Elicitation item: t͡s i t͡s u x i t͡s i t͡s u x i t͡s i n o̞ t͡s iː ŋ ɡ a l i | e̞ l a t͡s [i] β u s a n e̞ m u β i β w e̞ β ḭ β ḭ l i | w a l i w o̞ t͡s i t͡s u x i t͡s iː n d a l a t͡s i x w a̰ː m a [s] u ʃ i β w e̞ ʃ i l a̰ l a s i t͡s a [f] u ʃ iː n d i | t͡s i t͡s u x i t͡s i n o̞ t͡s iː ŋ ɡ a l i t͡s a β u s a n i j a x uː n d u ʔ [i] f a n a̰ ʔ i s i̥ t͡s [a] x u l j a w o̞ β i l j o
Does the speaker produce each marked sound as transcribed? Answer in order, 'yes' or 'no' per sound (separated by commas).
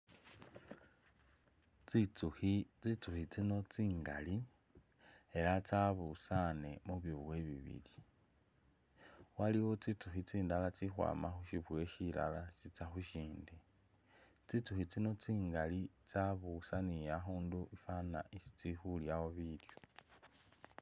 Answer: no, no, no, yes, no